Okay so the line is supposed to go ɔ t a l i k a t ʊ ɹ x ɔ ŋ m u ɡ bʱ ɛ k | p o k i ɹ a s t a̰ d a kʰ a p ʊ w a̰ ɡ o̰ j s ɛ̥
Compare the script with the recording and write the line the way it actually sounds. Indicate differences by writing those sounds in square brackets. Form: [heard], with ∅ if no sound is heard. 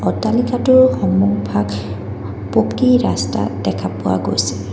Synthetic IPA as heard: ɔ t a l i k a t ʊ ɹ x ɔ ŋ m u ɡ bʱ [a] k | p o k i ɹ a s t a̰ d [ɛ] kʰ a p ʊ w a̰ ɡ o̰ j s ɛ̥